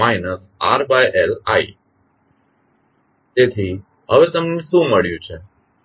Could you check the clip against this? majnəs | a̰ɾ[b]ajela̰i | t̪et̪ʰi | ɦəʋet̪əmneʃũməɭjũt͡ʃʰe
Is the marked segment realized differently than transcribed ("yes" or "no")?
no